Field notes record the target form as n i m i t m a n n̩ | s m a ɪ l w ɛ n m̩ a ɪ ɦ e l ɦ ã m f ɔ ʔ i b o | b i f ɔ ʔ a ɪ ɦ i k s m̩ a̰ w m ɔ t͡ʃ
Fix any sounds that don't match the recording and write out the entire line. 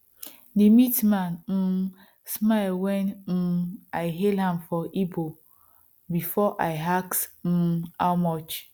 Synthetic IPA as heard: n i m i t m a n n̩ | s m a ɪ l w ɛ n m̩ a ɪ ɦ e l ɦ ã m f ɔ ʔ i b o | b i f ɔ ʔ a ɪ ɦ a k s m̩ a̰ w m ɔ t͡ʃ